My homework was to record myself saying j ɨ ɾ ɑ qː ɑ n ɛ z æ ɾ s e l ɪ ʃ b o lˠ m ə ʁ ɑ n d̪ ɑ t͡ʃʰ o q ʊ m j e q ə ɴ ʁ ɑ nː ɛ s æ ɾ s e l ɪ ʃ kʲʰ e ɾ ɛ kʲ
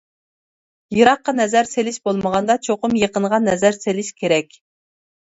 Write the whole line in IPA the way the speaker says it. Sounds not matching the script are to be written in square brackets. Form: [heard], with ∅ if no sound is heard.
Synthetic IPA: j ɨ ɾ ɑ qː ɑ n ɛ z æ ɾ s e l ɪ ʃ b o lˠ m ə ʁ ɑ n d̪ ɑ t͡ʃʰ o q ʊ m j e q ə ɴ ʁ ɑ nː ɛ [z] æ ɾ s e l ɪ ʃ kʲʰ e ɾ ɛ kʲ